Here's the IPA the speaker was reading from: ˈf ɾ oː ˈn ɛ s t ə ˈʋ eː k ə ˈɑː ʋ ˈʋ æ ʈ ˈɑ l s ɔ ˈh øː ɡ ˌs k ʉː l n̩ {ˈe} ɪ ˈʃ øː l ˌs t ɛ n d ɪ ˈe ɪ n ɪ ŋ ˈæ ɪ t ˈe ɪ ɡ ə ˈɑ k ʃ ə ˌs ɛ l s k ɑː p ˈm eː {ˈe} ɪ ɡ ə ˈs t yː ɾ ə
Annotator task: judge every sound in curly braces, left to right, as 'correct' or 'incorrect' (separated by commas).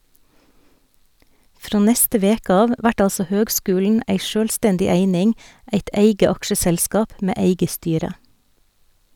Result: incorrect, correct